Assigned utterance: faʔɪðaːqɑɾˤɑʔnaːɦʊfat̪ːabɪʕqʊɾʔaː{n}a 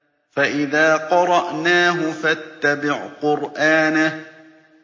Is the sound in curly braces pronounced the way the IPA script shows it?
yes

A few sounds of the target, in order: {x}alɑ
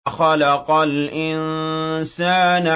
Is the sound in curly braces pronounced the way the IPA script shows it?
yes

